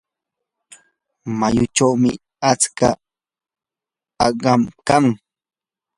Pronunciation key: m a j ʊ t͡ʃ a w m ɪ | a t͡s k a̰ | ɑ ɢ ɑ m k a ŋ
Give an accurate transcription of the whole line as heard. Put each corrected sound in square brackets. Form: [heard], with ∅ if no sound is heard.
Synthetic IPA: m a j ʊ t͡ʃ a w m ɪ | a t͡s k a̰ | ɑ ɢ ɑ m k a ŋ